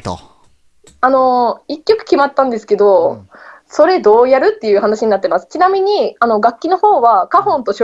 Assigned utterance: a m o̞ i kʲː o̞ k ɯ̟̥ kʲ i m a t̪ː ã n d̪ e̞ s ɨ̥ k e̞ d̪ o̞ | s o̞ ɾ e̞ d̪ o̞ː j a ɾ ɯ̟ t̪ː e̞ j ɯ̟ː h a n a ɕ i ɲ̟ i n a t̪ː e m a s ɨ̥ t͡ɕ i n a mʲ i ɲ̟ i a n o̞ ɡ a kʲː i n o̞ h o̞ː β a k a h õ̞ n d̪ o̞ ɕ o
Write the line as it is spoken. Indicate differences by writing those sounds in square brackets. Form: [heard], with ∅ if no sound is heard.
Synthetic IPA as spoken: a [n] o̞ i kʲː o̞ k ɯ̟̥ kʲ i m a t̪ː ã n d̪ e̞ s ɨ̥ k e̞ d̪ o̞ | s o̞ ɾ e̞ d̪ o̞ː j a ɾ ɯ̟ t̪ː e̞ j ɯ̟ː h a n a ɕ i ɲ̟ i n a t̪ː e m a s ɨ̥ t͡ɕ i n a mʲ i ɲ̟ i a n o̞ ɡ a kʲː i n o̞ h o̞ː β a k a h õ̞ n [t̪] o̞ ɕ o

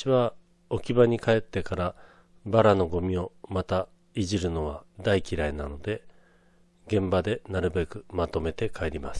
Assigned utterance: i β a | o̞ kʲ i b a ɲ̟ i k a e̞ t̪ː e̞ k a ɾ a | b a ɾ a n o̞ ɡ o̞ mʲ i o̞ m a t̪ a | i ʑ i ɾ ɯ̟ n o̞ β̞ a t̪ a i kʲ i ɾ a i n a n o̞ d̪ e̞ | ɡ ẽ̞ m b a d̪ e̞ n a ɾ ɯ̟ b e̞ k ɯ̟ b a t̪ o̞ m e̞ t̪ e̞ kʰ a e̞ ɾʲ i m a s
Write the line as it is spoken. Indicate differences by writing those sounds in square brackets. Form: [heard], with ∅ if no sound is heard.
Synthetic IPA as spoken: i β a | o̞ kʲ i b a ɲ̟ i k a e̞ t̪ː e̞ k a ɾ a | b a ɾ a n o̞ ɡ o̞ mʲ i o̞ m a t̪ a | i ʑ i ɾ ɯ̟ n o̞ β̞ a [d̪] a i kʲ i ɾ a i n a n o̞ d̪ e̞ | ɡ ẽ̞ m b a d̪ e̞ n a ɾ ɯ̟ b e̞ k ɯ̟ [m] a t̪ o̞ m e̞ t̪ e̞ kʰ a e̞ ɾʲ i m a s

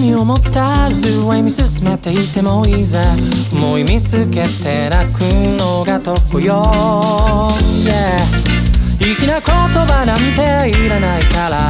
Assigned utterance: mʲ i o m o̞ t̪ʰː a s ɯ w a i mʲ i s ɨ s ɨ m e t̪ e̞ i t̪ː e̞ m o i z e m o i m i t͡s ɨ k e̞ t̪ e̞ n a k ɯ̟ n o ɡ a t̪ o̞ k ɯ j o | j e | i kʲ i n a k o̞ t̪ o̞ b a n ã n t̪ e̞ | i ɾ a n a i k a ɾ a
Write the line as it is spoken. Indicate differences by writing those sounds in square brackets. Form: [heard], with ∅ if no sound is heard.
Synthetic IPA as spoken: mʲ i o m o̞ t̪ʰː a [z] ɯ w a i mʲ i s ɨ s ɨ m e t̪ e̞ i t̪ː e̞ m o i z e m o i m i t͡s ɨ k e̞ t̪ e̞ n a k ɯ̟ n o ɡ a t̪ o̞ k ɯ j o | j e | i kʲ i n a k o̞ t̪ o̞ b a n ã n t̪ e̞ | i ɾ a n a i k a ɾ a

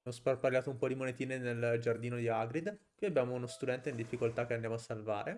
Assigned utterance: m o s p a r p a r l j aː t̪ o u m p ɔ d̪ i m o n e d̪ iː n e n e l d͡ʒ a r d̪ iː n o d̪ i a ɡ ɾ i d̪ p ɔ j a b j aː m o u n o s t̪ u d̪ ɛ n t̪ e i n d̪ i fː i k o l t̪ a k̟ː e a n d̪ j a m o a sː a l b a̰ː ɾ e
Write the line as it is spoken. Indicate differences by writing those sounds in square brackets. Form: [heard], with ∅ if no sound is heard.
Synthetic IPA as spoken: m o s p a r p a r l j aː t̪ o u m p ɔ d̪ i m o n e [t̪] iː n e n e l d͡ʒ a r d̪ iː n o d̪ i a ɡ ɾ i d̪ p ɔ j a b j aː m o u n o s t̪ u d̪ ɛ n t̪ e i n d̪ i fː i k o l t̪ a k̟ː e a n d̪ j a m o a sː a l [v] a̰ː ɾ e

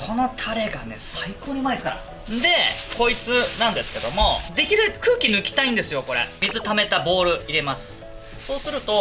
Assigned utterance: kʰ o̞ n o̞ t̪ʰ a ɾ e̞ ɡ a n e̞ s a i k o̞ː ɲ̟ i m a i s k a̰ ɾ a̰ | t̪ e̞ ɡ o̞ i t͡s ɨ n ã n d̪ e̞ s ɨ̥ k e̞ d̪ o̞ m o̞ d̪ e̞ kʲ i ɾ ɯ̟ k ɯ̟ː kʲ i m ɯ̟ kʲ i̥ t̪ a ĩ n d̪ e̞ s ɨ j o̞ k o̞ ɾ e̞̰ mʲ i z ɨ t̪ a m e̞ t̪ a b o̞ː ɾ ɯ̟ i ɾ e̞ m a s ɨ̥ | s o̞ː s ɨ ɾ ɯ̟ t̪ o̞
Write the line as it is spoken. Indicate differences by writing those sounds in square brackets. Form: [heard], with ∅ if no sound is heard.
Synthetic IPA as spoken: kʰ o̞ n o̞ t̪ʰ a ɾ e̞ ɡ a n e̞ s a i k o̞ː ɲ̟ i m a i s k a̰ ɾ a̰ | [d̪] e̞ [k] o̞ i t͡s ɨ n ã n d̪ e̞ s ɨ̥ k e̞ d̪ o̞ m o̞ d̪ e̞ kʲ i ɾ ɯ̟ k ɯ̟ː kʲ i [n] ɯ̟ kʲ i̥ t̪ a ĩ n d̪ e̞ s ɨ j o̞ k o̞ ɾ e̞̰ mʲ i z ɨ t̪ a m e̞ t̪ a b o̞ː ɾ ɯ̟ i ɾ e̞ m a s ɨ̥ | s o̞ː s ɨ ɾ ɯ̟ t̪ o̞

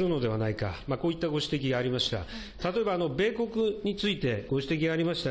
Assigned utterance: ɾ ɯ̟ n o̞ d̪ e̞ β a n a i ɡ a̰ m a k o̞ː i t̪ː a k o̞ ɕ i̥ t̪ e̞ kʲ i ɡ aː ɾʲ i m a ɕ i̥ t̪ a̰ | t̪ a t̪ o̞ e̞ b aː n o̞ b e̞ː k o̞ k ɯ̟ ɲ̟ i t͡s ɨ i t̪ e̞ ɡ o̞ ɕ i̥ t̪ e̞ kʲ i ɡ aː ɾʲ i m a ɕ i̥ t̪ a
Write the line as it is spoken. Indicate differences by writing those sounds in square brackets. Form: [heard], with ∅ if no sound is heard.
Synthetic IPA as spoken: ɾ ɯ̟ n o̞ d̪ e̞ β a n a i [k] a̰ m a k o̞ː i t̪ː a [ɡ] o̞ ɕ i̥ t̪ e̞ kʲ i ɡ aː ɾʲ i m a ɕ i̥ t̪ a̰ | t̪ a t̪ o̞ e̞ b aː n o̞ b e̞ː k o̞ k ɯ̟ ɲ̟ i t͡s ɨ i t̪ e̞ ɡ o̞ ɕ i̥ t̪ e̞ kʲ i ɡ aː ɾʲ i m a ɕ i̥ t̪ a

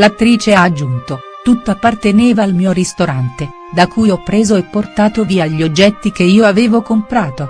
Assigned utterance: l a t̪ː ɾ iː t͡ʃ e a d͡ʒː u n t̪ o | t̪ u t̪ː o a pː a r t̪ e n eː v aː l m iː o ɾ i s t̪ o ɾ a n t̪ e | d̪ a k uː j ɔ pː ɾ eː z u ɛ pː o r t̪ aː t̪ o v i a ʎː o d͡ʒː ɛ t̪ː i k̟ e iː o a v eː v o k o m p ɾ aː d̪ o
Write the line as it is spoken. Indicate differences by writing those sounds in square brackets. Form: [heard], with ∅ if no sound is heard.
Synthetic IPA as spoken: l a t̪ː ɾ iː t͡ʃ e a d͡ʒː u n t̪ o | t̪ u t̪ː o a pː a r t̪ e n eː v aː l m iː o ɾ i s t̪ o ɾ a n t̪ e | d̪ a k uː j ɔ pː ɾ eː z [o] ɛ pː o r t̪ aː t̪ o v [iː] a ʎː o d͡ʒː ɛ t̪ː i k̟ e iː o a v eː v o k o m p ɾ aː [t̪] o

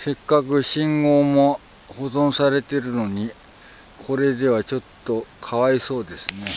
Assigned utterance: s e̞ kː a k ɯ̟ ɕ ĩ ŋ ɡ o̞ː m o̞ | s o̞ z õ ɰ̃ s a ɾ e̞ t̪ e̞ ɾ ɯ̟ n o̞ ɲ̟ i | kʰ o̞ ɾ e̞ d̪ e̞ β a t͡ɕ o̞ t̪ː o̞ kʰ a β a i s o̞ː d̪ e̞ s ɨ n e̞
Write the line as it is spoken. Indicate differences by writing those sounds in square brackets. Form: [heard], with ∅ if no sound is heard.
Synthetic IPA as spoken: s e̞ kː a k ɯ̟ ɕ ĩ ŋ ɡ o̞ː m o̞ | [h] o̞ z õ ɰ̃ s a ɾ e̞ t̪ e̞ ɾ ɯ̟ n o̞ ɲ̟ i | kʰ o̞ ɾ e̞ d̪ e̞ β a t͡ɕ o̞ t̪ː o̞ kʰ a β a i s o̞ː d̪ e̞ s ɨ n e̞

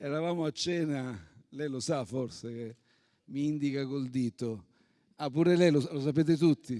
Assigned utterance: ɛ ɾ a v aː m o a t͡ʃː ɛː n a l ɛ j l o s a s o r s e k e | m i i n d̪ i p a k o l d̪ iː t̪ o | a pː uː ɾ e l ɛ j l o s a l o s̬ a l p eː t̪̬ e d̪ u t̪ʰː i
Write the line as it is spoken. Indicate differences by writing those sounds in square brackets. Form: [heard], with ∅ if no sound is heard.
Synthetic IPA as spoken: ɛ ɾ a v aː m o a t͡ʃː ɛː n a l ɛ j l o s a [f] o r s e k e | m i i n d̪ i [k] a k o l d̪ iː t̪ o | a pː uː ɾ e l ɛ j l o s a l o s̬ a [∅] p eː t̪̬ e [t̪] u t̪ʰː i

